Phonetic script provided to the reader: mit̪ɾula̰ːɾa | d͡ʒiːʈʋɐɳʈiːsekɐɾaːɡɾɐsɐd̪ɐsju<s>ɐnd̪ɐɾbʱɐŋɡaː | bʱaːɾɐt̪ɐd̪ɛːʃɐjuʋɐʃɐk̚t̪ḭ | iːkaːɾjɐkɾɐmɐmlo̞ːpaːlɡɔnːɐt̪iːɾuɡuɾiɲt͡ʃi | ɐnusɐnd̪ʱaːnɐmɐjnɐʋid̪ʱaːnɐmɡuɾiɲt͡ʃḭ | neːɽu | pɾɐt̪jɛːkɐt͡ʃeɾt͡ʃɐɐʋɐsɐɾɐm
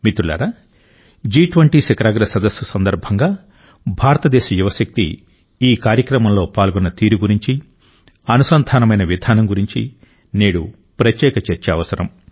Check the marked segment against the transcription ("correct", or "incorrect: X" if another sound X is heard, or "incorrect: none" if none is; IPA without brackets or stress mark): correct